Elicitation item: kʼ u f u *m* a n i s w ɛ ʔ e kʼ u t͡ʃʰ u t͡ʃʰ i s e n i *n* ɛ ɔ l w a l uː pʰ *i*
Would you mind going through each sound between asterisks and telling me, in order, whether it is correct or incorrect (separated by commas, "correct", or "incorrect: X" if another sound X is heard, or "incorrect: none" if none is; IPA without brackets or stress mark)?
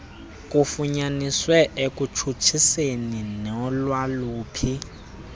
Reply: incorrect: ɲ, correct, correct